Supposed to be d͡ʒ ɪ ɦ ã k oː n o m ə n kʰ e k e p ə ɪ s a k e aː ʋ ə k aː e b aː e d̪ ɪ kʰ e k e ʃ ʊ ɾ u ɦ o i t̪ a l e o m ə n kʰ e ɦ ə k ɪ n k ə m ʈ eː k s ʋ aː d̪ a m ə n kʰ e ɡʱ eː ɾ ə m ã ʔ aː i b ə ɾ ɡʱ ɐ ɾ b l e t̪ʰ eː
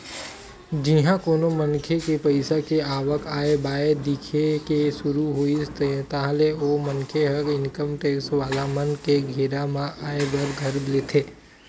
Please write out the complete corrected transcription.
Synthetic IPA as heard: d͡ʒ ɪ ɦ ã k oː n o m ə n kʰ e k e p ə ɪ s a k e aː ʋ ə k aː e b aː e d̪ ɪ kʰ e k e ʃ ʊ ɾ u ɦ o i t̪ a l e o m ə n kʰ e ɦ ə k ɪ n k ə m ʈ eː k s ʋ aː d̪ a m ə n k e ɡʱ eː ɾ a m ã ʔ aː e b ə ɾ ɡʱ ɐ ɾ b l e t̪ʰ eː